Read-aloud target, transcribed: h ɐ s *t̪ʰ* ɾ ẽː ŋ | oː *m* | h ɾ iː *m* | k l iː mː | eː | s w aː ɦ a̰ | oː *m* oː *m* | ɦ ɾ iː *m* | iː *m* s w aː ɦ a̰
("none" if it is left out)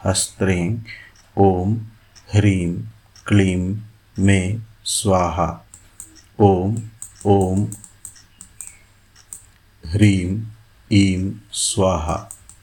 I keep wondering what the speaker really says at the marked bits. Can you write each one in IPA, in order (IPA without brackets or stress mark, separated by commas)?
t̪, m, m, m, m, m, m